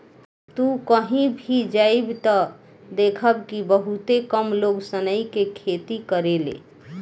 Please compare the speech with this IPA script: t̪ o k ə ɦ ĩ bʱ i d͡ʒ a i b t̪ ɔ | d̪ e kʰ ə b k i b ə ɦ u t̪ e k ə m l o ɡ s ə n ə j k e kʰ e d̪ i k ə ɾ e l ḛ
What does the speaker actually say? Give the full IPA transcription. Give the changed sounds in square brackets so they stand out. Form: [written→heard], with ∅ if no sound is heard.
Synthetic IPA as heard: t̪ [o→u] k ə ɦ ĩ bʱ i d͡ʒ a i b t̪ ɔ | d̪ e kʰ ə b k i b ə ɦ u t̪ e k ə m l o ɡ s ə n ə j k e kʰ e [d̪→t̪] i k ə ɾ e l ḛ